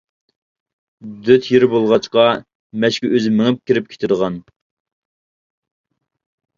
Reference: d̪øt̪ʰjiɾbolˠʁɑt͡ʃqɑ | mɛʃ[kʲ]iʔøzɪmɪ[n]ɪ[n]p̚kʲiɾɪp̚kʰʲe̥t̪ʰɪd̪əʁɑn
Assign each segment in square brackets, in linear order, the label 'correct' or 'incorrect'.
correct, incorrect: ŋ, incorrect: none

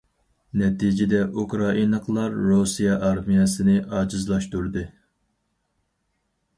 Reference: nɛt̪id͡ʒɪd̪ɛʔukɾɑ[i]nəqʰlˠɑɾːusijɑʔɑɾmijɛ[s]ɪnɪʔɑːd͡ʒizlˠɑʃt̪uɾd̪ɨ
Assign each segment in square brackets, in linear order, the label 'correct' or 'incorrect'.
correct, correct

